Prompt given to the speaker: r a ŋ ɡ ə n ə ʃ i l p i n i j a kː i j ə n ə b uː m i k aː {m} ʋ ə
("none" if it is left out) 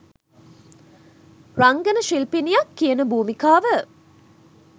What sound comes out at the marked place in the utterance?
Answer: none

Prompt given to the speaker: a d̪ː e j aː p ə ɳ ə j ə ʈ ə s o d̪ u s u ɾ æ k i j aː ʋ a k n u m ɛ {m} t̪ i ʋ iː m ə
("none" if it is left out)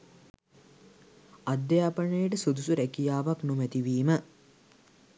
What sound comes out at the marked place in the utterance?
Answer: none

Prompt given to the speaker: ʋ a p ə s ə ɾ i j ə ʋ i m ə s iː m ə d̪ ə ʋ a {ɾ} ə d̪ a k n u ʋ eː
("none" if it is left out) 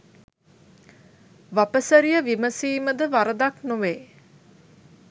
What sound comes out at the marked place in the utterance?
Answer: ɾ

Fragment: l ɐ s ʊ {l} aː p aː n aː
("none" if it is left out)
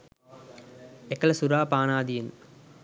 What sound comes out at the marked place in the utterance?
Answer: ɾ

